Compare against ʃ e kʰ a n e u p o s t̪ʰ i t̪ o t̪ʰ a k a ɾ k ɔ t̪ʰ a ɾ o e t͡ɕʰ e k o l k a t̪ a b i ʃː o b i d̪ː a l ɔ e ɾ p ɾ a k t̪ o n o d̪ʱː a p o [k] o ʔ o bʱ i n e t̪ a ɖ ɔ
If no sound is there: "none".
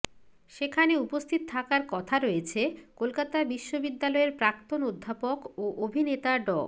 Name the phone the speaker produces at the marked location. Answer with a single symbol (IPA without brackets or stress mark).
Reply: k